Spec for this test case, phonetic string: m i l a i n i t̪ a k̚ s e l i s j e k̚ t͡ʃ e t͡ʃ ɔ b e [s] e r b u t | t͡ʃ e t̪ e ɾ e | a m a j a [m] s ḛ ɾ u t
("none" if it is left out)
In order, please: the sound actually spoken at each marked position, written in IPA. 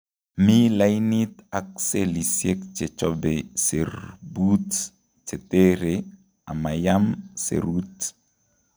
s, m

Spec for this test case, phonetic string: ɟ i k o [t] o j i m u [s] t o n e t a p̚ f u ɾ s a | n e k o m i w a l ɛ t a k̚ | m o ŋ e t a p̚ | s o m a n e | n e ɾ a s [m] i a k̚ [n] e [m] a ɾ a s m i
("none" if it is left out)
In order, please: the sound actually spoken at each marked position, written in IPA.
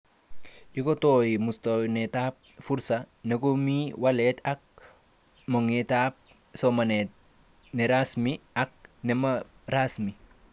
t, s, m, n, m

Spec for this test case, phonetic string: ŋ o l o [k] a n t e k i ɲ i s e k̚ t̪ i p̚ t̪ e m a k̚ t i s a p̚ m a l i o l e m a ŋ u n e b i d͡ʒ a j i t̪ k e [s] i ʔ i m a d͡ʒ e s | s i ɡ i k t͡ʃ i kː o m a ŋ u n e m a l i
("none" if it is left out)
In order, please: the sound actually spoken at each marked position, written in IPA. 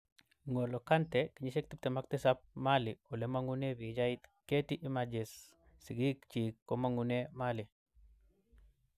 k, t

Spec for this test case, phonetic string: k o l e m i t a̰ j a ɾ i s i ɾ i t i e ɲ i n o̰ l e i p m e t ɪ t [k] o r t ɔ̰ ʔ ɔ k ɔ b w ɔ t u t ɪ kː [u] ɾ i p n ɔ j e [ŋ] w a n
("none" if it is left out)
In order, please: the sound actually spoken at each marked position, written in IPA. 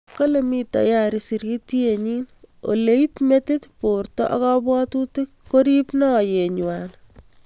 p, o, ɲ

